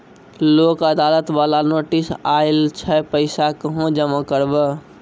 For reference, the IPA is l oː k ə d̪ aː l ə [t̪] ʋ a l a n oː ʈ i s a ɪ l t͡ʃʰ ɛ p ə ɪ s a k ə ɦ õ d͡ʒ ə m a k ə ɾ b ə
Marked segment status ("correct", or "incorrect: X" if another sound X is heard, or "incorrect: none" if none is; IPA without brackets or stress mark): correct